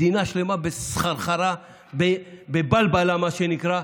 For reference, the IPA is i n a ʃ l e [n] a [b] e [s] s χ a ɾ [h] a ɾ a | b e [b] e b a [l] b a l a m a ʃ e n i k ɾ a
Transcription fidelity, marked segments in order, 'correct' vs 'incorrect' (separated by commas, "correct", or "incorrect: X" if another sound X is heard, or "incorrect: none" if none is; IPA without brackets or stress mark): incorrect: m, correct, correct, incorrect: χ, correct, correct